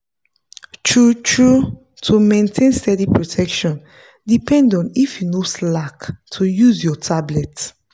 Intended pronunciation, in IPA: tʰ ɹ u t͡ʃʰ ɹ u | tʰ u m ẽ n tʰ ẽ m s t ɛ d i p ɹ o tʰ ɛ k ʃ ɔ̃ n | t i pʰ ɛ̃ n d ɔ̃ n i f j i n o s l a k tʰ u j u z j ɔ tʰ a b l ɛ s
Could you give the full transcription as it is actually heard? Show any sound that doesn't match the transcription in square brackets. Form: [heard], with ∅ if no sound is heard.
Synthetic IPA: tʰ ɹ u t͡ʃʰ ɹ u | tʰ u m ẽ n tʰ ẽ [n] s t ɛ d i p ɹ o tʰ ɛ k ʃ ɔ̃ n | [d] i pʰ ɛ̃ n d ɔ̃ n i f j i n o s l a k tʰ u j u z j ɔ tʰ a b l ɛ [t]